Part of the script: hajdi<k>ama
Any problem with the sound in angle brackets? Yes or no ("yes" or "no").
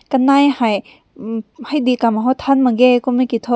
no